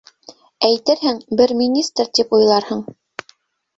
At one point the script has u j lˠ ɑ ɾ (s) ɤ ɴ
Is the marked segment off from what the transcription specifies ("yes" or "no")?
yes